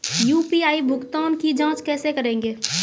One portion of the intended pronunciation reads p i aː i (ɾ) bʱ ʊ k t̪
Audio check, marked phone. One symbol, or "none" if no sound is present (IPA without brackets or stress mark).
none